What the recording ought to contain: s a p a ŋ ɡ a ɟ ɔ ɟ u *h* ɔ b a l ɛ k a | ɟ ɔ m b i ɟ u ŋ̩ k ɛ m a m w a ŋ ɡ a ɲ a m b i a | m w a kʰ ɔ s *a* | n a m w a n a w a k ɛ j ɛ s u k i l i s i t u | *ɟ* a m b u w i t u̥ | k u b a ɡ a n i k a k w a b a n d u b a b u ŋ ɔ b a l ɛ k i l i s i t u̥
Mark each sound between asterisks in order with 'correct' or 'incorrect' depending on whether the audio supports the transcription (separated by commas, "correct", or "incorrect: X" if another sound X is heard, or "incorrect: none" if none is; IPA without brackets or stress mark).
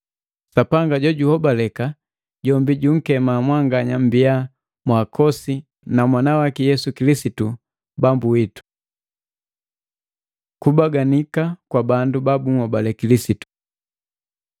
correct, incorrect: i, incorrect: b